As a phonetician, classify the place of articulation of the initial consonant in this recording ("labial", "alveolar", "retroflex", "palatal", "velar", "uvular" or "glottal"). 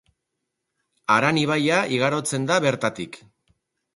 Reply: alveolar